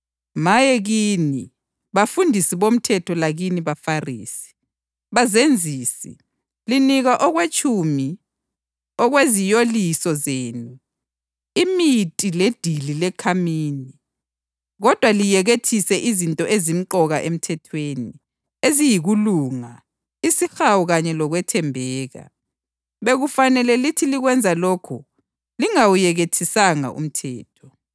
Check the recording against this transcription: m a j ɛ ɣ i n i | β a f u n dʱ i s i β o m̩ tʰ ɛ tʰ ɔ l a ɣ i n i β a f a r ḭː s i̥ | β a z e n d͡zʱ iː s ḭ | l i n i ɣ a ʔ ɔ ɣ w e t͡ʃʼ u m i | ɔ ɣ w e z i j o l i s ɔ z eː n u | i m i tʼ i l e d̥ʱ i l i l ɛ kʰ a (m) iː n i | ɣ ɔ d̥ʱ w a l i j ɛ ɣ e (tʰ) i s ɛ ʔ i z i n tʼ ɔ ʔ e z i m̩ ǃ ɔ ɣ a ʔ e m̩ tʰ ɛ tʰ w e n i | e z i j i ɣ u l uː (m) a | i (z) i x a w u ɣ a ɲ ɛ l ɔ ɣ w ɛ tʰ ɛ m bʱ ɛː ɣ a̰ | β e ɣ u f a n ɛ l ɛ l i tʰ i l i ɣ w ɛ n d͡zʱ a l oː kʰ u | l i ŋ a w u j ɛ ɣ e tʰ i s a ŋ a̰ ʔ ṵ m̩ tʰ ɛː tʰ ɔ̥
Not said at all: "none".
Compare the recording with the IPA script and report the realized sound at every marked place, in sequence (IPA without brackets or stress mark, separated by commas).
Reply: m, tʰ, ŋ, s